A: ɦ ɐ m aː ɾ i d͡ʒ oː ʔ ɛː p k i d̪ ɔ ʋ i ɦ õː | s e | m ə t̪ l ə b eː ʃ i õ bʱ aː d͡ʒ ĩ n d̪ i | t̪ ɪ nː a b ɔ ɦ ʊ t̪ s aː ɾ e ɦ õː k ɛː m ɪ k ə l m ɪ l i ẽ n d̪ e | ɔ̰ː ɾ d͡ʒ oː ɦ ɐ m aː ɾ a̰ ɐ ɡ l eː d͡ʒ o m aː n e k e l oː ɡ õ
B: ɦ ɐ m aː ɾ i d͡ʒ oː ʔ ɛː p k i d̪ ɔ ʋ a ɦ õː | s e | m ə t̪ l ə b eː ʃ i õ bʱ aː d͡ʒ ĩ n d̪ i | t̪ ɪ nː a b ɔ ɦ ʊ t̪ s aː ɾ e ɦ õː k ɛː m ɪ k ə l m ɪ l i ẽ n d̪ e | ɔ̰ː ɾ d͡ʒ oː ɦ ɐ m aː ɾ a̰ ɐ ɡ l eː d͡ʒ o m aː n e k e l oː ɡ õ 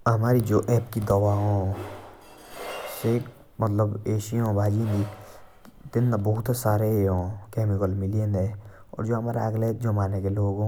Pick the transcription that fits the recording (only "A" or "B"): B